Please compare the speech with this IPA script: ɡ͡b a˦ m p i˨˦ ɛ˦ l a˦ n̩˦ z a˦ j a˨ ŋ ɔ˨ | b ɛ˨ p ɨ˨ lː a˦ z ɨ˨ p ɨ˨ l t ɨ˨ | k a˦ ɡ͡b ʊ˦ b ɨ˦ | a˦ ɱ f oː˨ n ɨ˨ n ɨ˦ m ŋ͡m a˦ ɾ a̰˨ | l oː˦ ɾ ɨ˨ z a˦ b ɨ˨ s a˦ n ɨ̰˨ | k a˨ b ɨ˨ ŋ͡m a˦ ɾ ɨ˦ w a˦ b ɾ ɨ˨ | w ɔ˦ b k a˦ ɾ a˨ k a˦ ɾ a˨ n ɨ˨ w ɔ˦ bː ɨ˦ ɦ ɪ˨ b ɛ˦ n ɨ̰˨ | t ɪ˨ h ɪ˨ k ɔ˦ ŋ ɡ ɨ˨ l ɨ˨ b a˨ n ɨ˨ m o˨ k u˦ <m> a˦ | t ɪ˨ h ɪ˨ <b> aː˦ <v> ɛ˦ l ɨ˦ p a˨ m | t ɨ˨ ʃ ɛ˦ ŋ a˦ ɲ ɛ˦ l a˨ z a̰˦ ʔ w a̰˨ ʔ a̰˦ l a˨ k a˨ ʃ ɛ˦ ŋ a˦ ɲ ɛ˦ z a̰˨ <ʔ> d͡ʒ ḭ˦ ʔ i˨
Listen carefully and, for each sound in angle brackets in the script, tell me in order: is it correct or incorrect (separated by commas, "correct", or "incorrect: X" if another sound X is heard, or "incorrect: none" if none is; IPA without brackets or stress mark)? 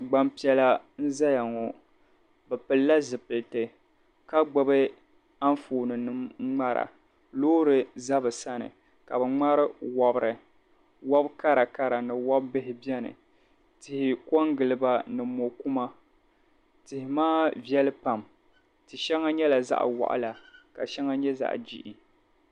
correct, incorrect: m, correct, correct